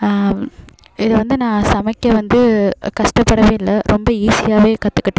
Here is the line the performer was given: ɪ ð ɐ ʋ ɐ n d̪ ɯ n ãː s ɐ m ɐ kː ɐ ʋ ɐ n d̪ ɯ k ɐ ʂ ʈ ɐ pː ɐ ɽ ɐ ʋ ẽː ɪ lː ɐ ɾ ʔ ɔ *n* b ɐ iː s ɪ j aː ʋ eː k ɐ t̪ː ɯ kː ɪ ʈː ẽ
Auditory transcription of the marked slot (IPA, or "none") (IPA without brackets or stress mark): m